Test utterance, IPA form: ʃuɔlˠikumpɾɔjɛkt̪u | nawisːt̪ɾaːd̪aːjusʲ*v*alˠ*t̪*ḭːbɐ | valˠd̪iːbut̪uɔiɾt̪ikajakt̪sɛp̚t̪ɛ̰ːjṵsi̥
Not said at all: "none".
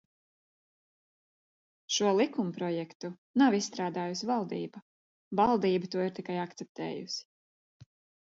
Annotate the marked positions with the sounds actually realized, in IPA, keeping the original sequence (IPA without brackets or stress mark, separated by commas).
v, d̪